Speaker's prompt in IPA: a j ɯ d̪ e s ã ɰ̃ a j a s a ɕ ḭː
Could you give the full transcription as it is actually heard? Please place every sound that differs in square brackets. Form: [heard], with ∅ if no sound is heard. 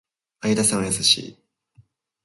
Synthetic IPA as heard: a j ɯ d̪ [a] s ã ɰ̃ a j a s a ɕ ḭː